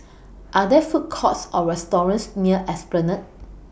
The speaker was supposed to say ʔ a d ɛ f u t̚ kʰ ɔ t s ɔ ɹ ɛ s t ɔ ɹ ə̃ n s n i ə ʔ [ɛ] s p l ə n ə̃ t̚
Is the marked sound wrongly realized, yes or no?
no